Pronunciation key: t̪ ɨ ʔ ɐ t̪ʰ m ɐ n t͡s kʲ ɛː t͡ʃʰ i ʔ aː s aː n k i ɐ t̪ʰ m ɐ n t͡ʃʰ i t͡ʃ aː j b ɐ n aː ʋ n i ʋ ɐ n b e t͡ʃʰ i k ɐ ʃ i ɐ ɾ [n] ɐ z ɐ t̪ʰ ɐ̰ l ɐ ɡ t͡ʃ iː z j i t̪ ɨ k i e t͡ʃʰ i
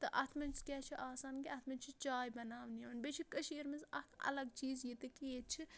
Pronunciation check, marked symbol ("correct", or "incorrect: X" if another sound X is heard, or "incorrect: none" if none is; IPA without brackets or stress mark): incorrect: m